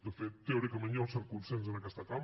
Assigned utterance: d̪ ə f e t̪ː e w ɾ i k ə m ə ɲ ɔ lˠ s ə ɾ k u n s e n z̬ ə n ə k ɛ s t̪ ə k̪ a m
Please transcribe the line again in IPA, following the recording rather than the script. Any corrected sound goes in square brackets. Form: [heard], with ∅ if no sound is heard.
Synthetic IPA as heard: d̪ ə f e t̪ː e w ɾ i k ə m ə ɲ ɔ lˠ s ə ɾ k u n s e n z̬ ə n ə k ɛ s t̪ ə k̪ a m